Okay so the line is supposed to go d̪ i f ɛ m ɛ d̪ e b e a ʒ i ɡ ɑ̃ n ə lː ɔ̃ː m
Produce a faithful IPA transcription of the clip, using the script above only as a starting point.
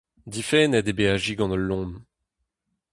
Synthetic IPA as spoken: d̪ i f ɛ n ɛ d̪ e b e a ʒ i ɡ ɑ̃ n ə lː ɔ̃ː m